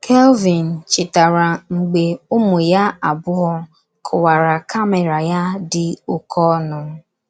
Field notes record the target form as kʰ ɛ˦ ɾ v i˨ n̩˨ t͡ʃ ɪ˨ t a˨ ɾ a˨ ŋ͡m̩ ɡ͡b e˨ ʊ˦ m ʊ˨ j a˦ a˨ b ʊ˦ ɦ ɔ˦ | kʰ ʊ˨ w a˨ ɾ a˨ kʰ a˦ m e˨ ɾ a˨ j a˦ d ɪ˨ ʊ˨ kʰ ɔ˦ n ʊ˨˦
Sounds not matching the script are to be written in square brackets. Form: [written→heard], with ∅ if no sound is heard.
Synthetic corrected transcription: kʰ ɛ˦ [ɾ→l] v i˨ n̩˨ t͡ʃ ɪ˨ t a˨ ɾ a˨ ŋ͡m̩ ɡ͡b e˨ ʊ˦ m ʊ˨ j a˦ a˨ b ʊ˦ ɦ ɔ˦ | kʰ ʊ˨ w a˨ ɾ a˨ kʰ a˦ m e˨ ɾ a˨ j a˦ d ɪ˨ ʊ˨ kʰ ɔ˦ n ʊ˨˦